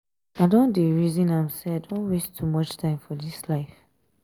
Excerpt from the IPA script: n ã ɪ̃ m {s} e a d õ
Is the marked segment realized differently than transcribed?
no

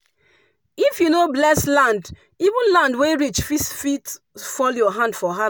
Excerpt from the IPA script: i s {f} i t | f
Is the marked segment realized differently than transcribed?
no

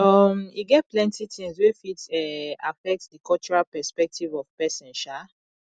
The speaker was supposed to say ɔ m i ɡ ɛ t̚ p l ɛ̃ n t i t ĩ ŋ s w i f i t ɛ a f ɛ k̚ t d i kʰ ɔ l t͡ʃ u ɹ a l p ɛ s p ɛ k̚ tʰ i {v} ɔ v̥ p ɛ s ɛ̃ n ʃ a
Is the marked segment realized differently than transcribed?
no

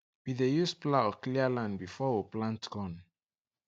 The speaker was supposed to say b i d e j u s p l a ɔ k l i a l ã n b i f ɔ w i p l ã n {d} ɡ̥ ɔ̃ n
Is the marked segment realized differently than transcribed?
yes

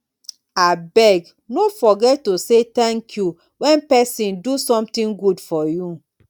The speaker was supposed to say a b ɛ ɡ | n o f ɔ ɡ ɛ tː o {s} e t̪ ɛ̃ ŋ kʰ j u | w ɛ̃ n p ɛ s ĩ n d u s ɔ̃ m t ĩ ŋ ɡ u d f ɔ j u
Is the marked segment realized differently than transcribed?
no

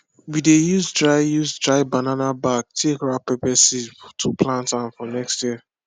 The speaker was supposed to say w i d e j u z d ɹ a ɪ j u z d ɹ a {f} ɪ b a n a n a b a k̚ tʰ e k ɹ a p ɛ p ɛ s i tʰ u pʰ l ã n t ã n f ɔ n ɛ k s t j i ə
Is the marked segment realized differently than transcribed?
yes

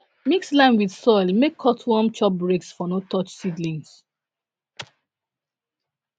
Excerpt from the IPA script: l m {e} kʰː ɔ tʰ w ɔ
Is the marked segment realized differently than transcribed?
no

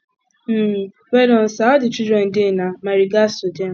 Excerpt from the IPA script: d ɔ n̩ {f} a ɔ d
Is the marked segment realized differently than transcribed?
yes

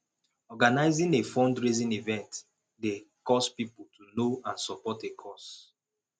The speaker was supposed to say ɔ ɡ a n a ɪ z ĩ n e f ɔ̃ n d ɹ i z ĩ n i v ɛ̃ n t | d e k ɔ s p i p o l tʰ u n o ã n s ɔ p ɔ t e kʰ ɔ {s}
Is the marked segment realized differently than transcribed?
no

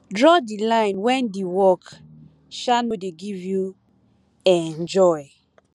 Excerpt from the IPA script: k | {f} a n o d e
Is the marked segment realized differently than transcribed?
yes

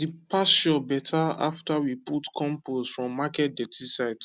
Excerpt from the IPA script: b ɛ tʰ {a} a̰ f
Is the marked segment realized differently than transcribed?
no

